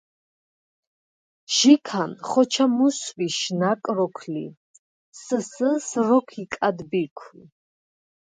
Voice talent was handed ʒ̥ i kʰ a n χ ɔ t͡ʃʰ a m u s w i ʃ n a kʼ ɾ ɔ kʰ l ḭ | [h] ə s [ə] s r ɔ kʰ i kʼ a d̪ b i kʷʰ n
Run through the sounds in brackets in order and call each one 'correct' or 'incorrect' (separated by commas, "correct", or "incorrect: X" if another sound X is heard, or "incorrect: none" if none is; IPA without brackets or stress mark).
incorrect: s, correct